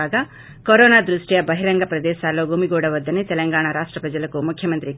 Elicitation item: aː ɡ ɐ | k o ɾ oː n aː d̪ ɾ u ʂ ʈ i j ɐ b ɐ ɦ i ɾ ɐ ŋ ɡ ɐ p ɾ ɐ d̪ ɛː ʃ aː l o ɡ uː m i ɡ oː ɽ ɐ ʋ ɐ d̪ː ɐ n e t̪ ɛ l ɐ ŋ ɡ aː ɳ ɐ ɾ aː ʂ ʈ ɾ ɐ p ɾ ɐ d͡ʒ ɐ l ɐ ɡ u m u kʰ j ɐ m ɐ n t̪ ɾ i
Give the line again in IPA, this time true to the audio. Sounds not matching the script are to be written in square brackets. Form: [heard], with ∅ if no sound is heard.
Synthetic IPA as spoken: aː ɡ ɐ | k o ɾ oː n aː d̪ ɾ u ʂ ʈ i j ɐ b ɐ ɦ i ɾ ɐ ŋ ɡ ɐ p ɾ ɐ d̪ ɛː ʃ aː l o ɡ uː m i ɡ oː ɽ ɐ ʋ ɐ d̪ː ɐ n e t̪ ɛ l ɐ ŋ ɡ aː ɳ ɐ ɾ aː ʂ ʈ ɾ ɐ p ɾ ɐ d͡ʒ ɐ l ɐ [k] u m u kʰ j ɐ m ɐ n t̪ ɾ i